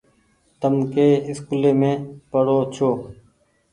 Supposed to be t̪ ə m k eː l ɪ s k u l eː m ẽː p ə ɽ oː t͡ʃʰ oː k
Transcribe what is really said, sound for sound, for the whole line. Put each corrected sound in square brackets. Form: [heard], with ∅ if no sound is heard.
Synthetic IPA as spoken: t̪ ə m k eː [∅] ɪ s k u l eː m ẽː p ə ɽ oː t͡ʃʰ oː k